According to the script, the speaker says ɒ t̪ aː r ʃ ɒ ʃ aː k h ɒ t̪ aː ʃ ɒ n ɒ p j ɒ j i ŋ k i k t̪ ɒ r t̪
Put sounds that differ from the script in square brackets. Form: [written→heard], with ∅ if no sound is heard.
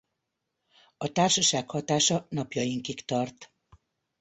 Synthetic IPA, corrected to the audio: ɒ t̪ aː r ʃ ɒ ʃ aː k h ɒ t̪ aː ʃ ɒ n ɒ p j ɒ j i ŋ k i k t̪ ɒ r t̪